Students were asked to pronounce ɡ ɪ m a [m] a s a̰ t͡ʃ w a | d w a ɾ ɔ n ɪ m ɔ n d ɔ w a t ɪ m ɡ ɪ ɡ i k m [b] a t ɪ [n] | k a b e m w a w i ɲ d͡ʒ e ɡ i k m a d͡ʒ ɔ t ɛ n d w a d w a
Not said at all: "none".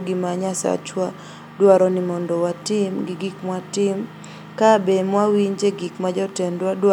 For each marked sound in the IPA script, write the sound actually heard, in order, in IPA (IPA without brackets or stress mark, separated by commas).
ɲ, w, m